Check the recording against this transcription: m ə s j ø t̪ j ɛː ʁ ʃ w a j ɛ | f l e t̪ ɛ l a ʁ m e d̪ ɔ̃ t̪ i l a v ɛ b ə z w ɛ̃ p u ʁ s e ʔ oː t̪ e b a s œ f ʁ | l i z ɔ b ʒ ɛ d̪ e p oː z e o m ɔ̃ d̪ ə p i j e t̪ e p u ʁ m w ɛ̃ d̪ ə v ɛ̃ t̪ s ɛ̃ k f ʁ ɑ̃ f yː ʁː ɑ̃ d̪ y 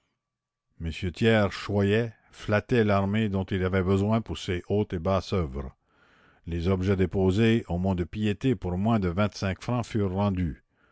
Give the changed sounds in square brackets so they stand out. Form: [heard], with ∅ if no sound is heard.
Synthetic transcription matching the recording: m ə s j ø t̪ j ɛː ʁ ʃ w a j ɛ | f l [a] t̪ ɛ l a ʁ m e d̪ ɔ̃ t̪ i l a v ɛ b ə z w ɛ̃ p u ʁ s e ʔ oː t̪ e b a s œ [v] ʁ | l [e] z ɔ b ʒ ɛ d̪ e p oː z e o m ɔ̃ d̪ ə p i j e t̪ e p u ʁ m w ɛ̃ d̪ ə v ɛ̃ t̪ s ɛ̃ k f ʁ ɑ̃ f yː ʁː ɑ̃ d̪ y